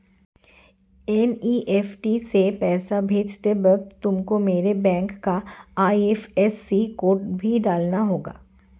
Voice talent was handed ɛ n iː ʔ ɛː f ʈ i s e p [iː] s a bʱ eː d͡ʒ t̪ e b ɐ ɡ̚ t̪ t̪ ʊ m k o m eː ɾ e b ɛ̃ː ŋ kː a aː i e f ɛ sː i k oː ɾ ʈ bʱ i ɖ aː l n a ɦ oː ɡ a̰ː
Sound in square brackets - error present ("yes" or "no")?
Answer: yes